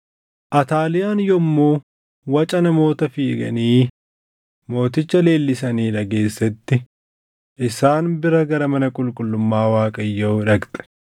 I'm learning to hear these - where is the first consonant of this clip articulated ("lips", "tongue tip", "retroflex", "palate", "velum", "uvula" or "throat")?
throat